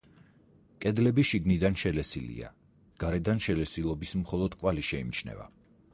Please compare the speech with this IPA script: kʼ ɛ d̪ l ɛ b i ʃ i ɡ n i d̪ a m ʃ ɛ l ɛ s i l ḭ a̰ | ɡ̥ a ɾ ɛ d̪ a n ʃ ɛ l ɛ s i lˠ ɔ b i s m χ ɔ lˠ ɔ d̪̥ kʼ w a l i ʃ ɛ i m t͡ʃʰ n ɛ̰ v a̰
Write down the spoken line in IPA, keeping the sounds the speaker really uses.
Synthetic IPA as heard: kʼ ɛ d̪ l ɛ b i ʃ i ɡ n i d̪ a n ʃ ɛ l ɛ s i l ḭ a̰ | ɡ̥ a ɾ ɛ d̪ a n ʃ ɛ l ɛ s i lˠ ɔ b i s m χ ɔ lˠ ɔ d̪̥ kʼ w a l i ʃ ɛ i m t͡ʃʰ n ɛ̰ v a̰